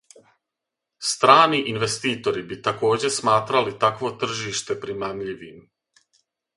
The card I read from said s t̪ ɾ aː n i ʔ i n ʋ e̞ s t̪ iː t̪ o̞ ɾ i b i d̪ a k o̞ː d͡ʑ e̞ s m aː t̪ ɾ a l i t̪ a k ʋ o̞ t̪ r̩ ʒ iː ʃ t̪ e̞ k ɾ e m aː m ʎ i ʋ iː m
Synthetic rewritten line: s t̪ ɾ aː n i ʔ i n ʋ e̞ s t̪ iː t̪ o̞ ɾ i b i t̪ a k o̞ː d͡ʑ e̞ s m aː t̪ ɾ a l i t̪ a k ʋ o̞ t̪ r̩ ʒ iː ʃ t̪ e̞ p ɾ i m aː m ʎ i ʋ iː m